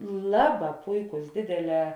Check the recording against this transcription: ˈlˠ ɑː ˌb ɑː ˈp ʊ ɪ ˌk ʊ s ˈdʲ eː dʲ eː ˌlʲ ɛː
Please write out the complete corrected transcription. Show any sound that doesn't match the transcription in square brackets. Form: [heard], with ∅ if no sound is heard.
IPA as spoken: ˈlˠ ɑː ˌb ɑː ˈp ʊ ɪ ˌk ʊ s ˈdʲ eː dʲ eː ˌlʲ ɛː